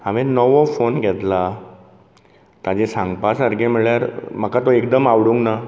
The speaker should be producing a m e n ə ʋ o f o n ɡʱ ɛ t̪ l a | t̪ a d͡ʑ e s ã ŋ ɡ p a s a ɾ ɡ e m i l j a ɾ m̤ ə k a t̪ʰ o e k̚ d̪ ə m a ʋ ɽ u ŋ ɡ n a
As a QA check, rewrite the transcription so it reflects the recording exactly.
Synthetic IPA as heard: a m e n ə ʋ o f o n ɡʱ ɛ t̪ l a | t̪ a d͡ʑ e s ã ŋ ɡ p a s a ɾ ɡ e m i ɭ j a ɾ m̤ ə k a t̪ o e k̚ d̪ ə m a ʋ ɽ u ŋ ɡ n a